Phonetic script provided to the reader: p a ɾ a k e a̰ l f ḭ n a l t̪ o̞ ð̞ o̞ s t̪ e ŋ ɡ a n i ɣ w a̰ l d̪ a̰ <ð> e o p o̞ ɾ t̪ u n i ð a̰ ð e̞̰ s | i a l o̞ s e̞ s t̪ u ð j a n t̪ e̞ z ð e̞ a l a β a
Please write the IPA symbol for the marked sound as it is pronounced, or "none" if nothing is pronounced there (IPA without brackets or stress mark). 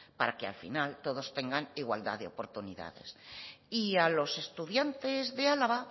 ð